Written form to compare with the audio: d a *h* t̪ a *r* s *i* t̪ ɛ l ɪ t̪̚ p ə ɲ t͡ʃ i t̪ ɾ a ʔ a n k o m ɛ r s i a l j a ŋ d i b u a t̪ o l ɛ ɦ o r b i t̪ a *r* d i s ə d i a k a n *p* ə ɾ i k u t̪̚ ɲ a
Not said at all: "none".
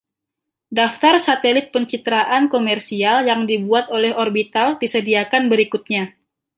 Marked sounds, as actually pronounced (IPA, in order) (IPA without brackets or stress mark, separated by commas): f, r, a, l, b